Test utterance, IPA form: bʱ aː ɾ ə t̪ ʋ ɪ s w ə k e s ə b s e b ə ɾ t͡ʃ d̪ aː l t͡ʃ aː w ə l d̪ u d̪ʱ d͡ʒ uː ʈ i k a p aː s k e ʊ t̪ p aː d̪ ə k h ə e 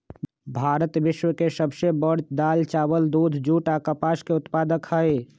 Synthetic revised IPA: bʱ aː ɾ ə t̪ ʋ ɪ ʃ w ə k e s ə b s e b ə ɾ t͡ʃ d̪ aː l t͡ʃ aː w ə l d̪ u d̪ʱ d͡ʒ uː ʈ a k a p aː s k e ʊ t̪ p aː d̪ ə k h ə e

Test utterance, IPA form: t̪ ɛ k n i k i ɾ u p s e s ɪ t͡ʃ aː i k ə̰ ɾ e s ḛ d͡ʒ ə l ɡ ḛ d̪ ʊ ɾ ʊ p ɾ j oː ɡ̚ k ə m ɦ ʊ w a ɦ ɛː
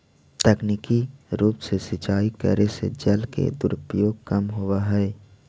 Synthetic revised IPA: t̪ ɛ k n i k i ɾ uː p s e s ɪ t͡ʃ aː i k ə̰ ɾ e s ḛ d͡ʒ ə l k ḛ d̪ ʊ ɾ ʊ p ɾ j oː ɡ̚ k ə m ɦ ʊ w a ɦ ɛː

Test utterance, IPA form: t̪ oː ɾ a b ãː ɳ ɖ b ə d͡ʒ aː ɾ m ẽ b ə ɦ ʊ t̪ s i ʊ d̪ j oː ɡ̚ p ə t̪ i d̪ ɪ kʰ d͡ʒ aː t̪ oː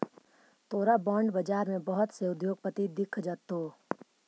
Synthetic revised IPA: t̪ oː ɾ a b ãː ɳ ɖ b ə d͡ʒ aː ɾ m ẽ b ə ɦ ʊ t̪ s e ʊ d̪ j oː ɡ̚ p ə t̪ i d̪ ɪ kʰ d͡ʒ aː t̪ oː

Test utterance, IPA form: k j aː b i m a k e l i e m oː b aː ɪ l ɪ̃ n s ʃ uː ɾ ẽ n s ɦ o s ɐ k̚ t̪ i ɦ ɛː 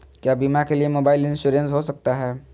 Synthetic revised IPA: k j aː b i m a k e l i e m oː b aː ɪ l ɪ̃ n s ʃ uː ɾ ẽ n s ɦ o s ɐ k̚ t̪ a ɦ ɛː

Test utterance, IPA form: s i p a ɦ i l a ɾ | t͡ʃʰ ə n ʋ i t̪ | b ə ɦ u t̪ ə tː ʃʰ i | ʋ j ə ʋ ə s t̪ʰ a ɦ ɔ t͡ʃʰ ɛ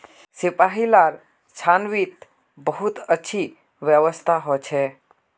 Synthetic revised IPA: s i p a ɦ i l a ɾ | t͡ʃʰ a n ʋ i t̪ | b ə ɦ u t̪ ə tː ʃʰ i | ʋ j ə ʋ ə s t̪ʰ a ɦ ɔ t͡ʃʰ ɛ

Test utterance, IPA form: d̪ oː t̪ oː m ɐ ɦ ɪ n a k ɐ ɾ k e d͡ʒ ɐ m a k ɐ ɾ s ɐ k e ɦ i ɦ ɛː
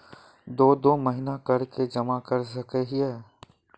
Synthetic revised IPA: d̪ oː d̪ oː m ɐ ɦ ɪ n a k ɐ ɾ k e d͡ʒ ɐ m a k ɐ ɾ s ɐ k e ɦ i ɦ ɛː

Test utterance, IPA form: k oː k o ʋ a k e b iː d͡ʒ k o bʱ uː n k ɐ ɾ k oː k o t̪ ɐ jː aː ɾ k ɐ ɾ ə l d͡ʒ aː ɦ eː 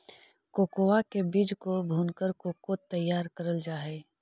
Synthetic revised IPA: k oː k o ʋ a k e b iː d͡ʒ k o bʱ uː n k ə ɾ k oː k o t̪ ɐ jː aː ɾ k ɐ ɾ ə l d͡ʒ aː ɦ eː

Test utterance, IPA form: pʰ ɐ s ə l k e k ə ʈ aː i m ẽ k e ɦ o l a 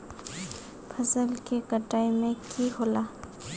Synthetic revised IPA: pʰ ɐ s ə l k e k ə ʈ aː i m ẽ k i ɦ o l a

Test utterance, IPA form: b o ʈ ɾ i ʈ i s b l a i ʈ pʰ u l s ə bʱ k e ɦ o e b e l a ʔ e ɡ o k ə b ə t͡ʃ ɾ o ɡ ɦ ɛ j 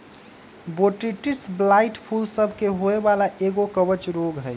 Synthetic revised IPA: b o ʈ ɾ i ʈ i s b l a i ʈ pʰ u l s ə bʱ k e ɦ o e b a l a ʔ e ɡ o k ə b ə t͡ʃ ɾ o ɡ ɦ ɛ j

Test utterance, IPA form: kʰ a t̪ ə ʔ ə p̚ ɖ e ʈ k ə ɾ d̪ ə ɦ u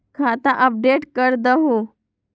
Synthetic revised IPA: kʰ a t̪ a ʔ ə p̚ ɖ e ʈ k ə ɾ d̪ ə ɦ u

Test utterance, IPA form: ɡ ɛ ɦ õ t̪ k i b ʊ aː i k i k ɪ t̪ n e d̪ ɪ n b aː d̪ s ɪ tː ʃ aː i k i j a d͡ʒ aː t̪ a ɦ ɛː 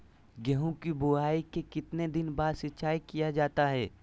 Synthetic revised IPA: ɡ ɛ ɦ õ k i b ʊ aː i k e k ɪ t̪ n e d̪ ɪ n b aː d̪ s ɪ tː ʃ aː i k i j a d͡ʒ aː t̪ a ɦ ɛː

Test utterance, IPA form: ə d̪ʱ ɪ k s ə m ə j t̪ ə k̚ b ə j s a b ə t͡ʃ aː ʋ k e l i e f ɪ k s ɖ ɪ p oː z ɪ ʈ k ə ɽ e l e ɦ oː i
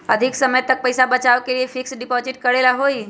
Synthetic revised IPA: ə d̪ʱ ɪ k s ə m ə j t̪ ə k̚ p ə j s a b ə t͡ʃ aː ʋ k e l i e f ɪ k s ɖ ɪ p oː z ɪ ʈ k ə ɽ e l a ɦ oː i

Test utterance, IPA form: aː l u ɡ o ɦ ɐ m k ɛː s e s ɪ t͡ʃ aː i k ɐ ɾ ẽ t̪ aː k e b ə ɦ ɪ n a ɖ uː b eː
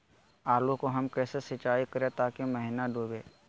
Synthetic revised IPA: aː l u k o ɦ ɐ m k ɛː s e s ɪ t͡ʃ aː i k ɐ ɾ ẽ t̪ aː k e m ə ɦ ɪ n a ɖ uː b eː

